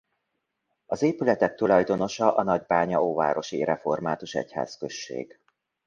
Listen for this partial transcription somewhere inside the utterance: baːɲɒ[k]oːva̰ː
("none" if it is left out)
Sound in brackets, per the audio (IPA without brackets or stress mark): none